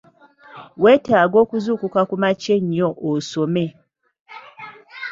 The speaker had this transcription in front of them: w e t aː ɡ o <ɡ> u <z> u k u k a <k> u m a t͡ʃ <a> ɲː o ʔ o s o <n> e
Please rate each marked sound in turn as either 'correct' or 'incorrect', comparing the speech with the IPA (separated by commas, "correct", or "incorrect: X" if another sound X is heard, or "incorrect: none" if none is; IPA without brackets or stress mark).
incorrect: k, correct, correct, incorrect: e, incorrect: m